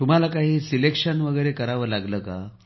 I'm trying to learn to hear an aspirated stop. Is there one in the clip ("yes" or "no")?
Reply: no